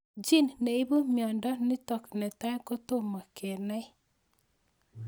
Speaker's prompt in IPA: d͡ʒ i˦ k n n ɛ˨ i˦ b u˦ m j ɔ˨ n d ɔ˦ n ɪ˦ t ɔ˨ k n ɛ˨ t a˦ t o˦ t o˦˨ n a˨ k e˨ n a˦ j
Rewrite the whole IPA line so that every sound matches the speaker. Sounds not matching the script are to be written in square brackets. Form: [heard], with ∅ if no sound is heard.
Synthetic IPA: d͡ʒ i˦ [∅] n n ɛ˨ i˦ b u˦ m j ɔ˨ n d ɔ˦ n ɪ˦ t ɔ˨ k n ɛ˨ t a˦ [k] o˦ t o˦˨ [m] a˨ k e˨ n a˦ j